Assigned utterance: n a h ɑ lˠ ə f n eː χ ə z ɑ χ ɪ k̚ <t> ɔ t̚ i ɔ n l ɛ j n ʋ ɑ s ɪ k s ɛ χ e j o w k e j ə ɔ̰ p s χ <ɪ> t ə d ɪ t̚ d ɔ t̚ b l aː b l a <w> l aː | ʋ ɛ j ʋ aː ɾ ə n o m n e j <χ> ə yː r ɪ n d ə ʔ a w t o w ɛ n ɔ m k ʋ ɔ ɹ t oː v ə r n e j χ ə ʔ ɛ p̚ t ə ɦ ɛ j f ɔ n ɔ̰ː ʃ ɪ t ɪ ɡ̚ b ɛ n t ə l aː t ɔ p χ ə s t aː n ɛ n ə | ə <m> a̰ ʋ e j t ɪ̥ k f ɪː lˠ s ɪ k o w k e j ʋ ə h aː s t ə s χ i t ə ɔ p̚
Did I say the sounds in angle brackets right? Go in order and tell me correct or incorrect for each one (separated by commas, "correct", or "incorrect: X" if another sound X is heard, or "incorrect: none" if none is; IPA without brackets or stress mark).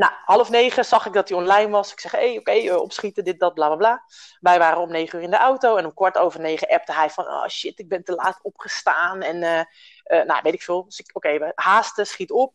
incorrect: d, incorrect: i, incorrect: b, correct, incorrect: n